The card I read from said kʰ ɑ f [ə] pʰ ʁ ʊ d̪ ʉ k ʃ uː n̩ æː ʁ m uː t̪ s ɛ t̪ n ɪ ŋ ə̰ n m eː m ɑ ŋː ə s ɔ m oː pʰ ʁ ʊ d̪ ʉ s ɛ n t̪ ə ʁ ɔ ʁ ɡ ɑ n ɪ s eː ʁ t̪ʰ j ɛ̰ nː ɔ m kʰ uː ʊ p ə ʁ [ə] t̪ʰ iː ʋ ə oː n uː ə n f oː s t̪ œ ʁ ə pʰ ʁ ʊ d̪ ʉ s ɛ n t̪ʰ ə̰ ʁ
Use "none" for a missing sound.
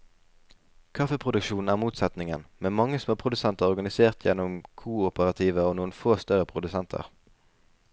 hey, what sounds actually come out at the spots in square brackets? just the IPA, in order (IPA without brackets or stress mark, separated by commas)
ə, ɑ